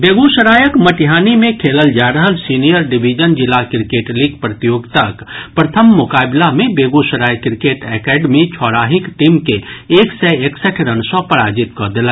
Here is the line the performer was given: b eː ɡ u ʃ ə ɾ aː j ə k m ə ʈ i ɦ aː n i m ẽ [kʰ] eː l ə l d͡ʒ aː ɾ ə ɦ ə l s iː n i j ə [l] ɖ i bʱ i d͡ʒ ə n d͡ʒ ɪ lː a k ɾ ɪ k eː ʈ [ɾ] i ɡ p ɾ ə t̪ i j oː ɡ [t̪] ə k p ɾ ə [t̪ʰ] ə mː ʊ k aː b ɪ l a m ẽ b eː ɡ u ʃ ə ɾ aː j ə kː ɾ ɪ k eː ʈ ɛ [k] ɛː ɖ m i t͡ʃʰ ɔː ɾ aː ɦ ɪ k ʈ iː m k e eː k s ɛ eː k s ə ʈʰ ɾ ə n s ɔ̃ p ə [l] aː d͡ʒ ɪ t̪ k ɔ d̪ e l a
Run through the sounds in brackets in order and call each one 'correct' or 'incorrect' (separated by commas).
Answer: correct, incorrect, incorrect, correct, correct, correct, incorrect